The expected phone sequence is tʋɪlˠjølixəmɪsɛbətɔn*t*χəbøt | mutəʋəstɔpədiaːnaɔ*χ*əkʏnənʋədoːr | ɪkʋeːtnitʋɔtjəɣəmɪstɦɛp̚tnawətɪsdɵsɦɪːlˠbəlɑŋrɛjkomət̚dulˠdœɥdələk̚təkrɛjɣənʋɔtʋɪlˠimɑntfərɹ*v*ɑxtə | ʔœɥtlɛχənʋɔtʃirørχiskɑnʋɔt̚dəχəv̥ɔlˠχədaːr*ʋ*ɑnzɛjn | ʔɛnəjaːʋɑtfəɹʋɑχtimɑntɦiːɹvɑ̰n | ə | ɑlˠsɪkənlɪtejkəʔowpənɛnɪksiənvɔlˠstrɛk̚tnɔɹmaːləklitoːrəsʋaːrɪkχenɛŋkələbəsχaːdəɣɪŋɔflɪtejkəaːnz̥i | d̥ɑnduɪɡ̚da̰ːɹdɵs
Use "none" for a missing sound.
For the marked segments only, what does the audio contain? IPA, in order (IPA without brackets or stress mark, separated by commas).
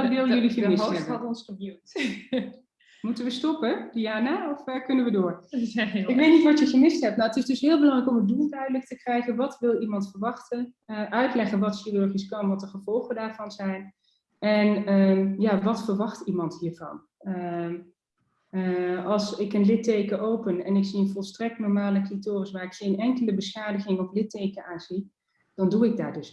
s, f, ʋ, v